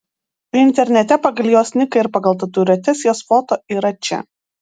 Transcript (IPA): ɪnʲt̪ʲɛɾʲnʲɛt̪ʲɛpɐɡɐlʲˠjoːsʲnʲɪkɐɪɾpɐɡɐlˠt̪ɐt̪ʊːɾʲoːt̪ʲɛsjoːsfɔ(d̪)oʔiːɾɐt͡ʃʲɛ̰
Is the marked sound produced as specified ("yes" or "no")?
no